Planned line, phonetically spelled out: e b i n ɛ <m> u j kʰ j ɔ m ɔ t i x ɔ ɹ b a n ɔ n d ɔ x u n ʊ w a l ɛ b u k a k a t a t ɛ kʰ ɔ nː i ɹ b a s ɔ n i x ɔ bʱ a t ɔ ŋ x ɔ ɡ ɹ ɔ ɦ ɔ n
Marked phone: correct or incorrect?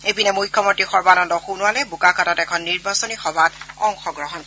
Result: correct